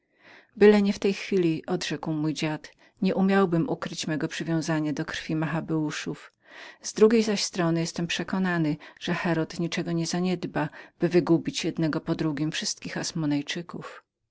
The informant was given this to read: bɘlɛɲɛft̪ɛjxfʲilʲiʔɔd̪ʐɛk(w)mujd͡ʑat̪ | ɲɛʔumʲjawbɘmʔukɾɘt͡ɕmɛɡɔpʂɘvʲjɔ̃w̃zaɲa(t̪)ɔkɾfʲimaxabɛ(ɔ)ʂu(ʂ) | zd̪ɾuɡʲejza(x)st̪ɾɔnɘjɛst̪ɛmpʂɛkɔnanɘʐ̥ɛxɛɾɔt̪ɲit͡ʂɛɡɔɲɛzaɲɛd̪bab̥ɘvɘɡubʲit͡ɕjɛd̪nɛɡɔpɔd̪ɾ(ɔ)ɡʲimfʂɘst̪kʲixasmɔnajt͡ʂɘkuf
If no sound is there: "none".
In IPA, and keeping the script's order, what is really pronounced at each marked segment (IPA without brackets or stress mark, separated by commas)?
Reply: w, d̪, u, f, ɕ, u